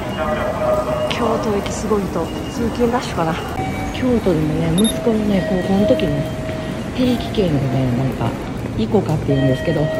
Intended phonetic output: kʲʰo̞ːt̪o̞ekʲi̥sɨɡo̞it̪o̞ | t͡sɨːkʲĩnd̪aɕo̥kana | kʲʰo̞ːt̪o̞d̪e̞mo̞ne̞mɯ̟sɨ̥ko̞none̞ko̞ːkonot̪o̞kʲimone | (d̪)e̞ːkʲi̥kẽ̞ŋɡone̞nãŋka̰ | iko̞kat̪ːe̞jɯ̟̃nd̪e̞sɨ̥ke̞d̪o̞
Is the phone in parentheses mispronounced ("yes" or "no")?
yes